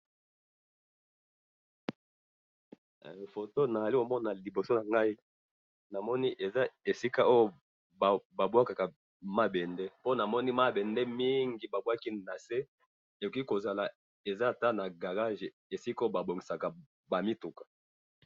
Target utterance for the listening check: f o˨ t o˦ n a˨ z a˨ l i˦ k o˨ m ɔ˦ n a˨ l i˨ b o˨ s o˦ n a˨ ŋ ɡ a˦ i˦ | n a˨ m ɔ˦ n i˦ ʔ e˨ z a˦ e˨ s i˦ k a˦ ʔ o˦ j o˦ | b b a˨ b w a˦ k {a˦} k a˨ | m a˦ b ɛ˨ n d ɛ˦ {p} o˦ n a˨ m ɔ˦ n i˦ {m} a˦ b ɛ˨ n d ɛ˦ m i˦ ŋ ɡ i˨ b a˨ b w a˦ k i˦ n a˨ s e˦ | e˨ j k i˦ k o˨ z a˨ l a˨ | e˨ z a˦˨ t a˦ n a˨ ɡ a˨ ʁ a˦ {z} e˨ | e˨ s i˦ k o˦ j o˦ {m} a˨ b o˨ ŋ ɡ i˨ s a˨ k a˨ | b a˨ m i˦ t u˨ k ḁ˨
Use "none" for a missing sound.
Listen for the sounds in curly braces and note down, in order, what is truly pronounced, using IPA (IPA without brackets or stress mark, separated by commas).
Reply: a˨, p, m, ʒ, b